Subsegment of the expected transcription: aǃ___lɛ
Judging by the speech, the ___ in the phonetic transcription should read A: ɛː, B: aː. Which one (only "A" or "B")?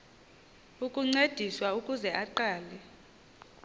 B